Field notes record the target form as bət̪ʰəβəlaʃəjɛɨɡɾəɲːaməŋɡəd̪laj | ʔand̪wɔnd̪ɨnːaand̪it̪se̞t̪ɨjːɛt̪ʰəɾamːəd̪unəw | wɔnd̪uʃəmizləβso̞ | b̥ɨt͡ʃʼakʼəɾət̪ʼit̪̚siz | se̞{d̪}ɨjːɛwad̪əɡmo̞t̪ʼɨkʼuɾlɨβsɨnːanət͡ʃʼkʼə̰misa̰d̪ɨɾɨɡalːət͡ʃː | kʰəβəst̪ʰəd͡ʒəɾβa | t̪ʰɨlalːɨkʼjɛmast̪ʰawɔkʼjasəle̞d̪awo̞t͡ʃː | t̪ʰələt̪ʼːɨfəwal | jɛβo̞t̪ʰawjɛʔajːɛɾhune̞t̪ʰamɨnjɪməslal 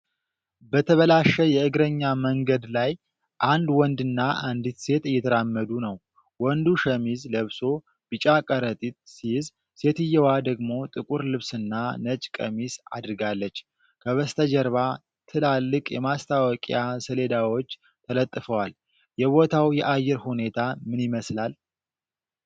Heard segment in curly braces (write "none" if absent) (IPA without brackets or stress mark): t̪